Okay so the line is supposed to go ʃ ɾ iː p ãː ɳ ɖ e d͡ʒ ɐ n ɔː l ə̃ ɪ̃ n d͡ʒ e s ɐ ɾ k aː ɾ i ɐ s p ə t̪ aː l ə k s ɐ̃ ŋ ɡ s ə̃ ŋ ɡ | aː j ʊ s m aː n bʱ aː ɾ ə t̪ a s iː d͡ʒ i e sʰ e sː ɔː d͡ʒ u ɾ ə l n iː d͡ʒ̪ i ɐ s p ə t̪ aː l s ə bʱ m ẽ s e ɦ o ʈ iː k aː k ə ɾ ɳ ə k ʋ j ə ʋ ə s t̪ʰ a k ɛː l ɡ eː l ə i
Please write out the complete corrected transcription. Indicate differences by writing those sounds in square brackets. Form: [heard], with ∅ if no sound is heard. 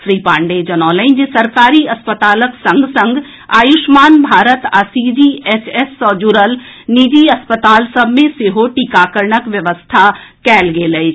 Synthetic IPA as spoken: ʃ ɾ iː p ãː ɳ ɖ e d͡ʒ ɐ n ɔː l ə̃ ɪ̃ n d͡ʒ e s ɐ ɾ k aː ɾ i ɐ s p ə t̪ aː l ə k s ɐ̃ ŋ ɡ s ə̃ ŋ ɡ | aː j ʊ [ʃ] m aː n bʱ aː ɾ ə t̪ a s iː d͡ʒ i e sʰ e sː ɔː d͡ʒ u ɾ ə l n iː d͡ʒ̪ i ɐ s p ə t̪ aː l s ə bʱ m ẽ s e ɦ o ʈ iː k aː k ə ɾ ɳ ə k ʋ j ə ʋ ə s t̪ʰ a k ɛː l ɡ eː l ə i